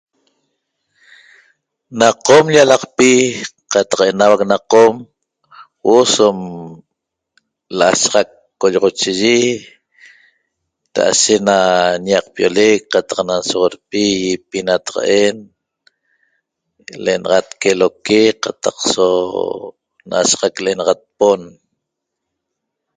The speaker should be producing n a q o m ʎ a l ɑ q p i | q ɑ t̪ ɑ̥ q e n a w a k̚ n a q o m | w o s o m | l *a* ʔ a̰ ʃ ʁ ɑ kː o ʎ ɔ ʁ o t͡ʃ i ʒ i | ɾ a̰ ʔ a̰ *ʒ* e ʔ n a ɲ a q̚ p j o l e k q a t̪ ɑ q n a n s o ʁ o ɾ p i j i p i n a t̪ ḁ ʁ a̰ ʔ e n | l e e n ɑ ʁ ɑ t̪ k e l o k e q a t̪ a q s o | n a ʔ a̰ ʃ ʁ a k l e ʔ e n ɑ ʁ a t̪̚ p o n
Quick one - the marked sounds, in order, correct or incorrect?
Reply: correct, incorrect

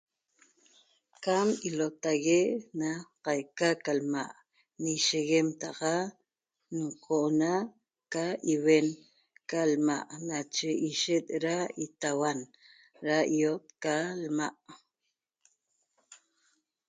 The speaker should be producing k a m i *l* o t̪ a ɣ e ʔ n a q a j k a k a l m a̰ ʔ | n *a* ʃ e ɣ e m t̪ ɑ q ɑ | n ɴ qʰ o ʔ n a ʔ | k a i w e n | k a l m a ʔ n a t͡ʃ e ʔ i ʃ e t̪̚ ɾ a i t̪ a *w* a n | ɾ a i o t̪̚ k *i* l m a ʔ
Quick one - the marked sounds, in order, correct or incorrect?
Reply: correct, incorrect, correct, incorrect

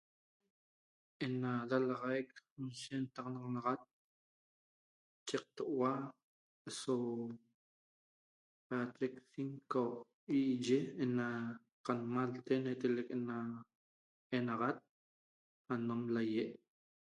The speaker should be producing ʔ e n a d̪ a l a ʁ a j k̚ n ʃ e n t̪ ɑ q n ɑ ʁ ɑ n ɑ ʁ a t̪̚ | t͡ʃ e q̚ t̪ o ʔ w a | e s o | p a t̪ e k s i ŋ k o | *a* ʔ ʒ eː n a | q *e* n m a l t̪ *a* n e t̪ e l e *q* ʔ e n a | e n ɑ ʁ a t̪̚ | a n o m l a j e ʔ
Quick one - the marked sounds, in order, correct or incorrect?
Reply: incorrect, incorrect, incorrect, incorrect

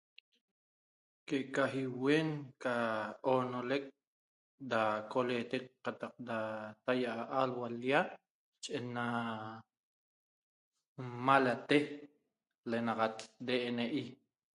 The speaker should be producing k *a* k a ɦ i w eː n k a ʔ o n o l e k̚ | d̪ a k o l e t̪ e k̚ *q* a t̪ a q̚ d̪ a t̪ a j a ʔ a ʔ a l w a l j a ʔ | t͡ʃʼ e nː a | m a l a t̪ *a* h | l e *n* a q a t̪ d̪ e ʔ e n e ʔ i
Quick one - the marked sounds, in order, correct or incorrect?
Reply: incorrect, correct, incorrect, correct

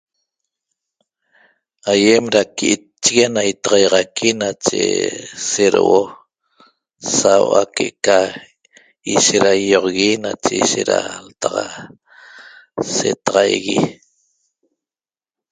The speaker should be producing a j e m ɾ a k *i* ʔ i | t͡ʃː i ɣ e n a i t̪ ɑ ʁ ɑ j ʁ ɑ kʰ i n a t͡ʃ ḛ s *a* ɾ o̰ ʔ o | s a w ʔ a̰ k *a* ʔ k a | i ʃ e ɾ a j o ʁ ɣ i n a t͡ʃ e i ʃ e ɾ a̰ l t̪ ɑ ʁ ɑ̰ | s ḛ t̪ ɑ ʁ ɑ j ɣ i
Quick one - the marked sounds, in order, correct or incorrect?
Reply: correct, incorrect, incorrect

